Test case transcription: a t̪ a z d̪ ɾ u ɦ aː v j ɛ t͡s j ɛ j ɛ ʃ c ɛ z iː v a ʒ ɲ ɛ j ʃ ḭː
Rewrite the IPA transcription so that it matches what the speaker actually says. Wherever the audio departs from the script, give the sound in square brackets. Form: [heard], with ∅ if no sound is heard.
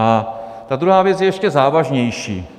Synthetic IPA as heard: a t̪ a [∅] d̪ ɾ u ɦ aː v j ɛ t͡s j ɛ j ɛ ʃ c ɛ z [aː] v a ʒ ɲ ɛ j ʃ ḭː